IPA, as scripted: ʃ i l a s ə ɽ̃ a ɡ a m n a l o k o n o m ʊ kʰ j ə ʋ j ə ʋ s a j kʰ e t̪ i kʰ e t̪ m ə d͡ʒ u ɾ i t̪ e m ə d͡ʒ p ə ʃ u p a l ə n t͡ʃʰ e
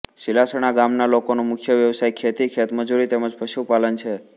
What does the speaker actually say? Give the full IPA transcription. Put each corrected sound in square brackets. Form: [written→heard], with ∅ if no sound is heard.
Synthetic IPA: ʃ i l a s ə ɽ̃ a ɡ a m n a l o k o n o m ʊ kʰ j ə ʋ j ə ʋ s a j kʰ e t̪ i kʰ e t̪ m ə d͡ʒ u ɾ i t̪ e m ə d͡ʒ p ə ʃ u p a l ə n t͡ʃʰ e